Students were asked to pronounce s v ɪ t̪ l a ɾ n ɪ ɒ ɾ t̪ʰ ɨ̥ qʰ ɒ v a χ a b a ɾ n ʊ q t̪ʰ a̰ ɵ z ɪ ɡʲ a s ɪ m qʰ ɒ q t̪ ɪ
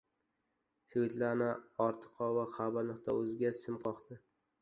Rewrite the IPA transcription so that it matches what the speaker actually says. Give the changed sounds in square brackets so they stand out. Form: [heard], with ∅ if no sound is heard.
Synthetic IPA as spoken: s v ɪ t̪ l a ɾ n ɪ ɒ ɾ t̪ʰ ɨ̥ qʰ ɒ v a χ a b a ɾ n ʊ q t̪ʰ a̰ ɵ z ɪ ɡʲ a s ɪ m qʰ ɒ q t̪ ɪ